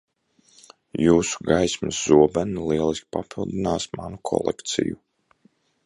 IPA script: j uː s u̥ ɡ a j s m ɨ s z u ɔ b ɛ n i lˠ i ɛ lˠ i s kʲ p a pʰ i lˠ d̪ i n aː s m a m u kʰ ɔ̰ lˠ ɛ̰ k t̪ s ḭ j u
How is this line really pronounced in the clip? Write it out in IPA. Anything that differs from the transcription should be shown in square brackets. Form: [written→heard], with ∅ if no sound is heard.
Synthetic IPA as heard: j uː s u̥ ɡ a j s m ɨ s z u ɔ b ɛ n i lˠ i ɛ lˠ i s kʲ p a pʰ i lˠ d̪ i n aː s m a [m→n] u kʰ ɔ̰ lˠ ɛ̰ k t̪ s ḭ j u